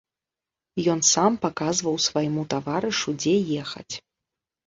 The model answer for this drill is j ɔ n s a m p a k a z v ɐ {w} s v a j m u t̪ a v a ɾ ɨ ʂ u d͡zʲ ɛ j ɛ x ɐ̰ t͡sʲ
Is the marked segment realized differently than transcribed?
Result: no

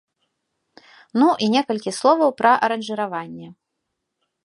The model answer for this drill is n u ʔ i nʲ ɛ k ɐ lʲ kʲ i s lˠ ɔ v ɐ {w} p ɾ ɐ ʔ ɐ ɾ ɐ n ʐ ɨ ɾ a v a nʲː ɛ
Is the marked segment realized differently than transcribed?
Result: no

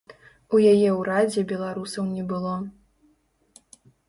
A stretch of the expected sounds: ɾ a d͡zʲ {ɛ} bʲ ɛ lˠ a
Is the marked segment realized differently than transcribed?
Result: no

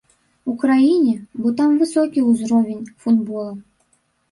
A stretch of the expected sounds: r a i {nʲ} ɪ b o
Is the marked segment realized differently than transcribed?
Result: no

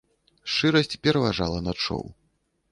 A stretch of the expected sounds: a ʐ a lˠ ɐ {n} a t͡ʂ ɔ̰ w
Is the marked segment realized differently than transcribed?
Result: no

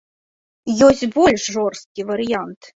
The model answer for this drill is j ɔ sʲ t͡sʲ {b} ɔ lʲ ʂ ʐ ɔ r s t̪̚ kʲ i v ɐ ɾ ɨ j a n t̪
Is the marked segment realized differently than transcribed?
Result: no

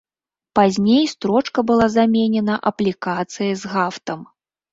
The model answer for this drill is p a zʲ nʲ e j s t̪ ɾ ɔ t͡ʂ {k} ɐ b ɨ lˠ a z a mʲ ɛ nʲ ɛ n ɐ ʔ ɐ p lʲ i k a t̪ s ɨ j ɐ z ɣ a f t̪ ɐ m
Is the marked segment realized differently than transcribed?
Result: no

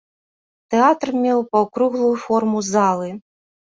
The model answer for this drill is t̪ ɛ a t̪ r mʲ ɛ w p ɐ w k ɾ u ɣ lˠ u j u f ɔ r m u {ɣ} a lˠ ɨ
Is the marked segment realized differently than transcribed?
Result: yes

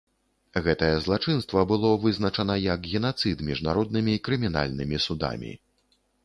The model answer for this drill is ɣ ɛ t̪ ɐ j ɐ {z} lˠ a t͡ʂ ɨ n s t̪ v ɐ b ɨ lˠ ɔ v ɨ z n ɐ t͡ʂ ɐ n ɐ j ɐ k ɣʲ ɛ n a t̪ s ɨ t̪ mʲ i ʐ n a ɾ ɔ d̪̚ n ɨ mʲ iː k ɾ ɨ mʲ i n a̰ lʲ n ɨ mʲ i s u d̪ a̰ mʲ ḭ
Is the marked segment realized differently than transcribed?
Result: no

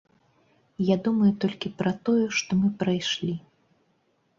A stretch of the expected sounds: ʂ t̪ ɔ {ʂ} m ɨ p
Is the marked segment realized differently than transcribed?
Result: yes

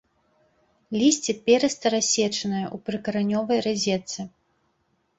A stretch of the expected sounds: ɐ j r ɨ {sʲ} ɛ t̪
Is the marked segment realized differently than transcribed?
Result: yes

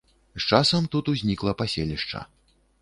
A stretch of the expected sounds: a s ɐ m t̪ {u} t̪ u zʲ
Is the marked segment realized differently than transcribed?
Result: no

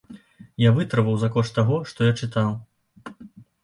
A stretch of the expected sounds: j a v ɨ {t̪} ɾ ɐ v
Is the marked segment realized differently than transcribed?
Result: no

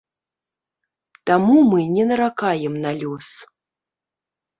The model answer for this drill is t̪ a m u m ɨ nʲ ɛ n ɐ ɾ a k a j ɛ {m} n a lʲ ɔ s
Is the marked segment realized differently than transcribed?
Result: no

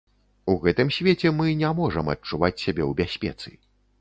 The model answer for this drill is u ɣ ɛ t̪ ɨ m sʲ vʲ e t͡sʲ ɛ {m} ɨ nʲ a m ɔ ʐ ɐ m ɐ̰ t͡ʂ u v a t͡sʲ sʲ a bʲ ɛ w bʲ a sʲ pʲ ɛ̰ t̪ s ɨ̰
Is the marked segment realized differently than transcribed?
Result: no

